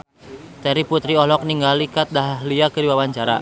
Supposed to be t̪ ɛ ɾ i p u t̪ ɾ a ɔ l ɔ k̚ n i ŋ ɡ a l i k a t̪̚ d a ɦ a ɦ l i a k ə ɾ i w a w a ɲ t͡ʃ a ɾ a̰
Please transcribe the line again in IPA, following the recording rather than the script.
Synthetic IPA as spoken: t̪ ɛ ɾ i p u t̪ ɾ i ɔ l ɔ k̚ n i ŋ ɡ a l i k a t̪̚ d a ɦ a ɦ l i a k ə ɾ i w a w a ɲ t͡ʃ a ɾ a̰

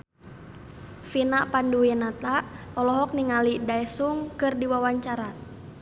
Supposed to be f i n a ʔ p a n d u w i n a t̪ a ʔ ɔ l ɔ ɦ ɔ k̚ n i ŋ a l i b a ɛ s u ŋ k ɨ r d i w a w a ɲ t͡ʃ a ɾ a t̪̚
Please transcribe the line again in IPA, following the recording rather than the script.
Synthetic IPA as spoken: f i n a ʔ p a n d u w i n a t̪ a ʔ ɔ l ɔ ɦ ɔ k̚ n i ŋ a l i d a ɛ s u ŋ k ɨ r d i w a w a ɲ t͡ʃ a ɾ a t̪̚

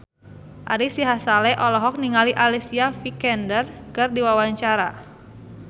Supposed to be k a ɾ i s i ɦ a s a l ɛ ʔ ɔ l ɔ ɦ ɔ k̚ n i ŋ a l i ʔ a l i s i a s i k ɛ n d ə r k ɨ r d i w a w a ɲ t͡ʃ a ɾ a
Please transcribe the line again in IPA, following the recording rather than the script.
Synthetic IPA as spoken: ʔ a ɾ i s i ɦ a s a l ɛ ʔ ɔ l ɔ ɦ ɔ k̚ n i ŋ a l i ʔ a l i s i a f i k ɛ n d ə r k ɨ r d i w a w a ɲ t͡ʃ a ɾ a

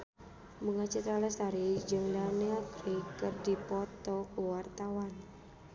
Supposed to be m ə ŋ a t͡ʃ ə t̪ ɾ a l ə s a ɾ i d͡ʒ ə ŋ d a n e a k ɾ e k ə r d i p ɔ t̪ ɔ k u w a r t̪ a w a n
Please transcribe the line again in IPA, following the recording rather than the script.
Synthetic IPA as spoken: m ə ŋ a t͡ʃ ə t̪ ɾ a l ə s a ɾ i d͡ʒ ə ŋ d a n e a k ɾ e k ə r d i p ɔ t̪ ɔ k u w a r t̪ a w a n

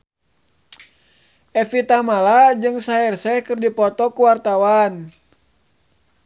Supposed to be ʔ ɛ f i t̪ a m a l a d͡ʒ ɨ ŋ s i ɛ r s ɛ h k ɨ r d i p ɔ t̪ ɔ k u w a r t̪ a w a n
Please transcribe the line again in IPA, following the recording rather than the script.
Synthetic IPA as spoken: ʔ ɛ f i t̪ a m a l a d͡ʒ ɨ ŋ s a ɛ r s ɛ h k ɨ r d i p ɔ t̪ ɔ k u w a r t̪ a w a n

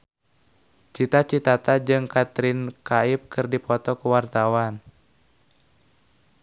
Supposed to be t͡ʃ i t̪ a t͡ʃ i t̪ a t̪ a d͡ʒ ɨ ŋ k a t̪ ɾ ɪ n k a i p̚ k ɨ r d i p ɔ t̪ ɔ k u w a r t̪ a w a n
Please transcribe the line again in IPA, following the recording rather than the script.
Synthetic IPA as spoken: t͡ʃ i t̪ a t͡ʃ i t̪ a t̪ a d͡ʒ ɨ ŋ k a t̪ ɾ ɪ n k a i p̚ k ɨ r d i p ɔ t̪ ɔ k u w a r t̪ a w a n

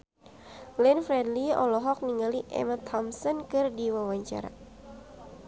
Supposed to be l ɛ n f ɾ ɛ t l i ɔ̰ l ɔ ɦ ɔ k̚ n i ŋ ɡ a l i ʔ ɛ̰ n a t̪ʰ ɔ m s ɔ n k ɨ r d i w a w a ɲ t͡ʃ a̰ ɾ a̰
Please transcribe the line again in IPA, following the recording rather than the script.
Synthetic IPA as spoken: l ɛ n f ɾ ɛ d l i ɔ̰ l ɔ ɦ ɔ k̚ n i ŋ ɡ a l i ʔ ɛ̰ m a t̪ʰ ɔ m s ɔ n k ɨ r d i w a w a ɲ t͡ʃ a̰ ɾ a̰

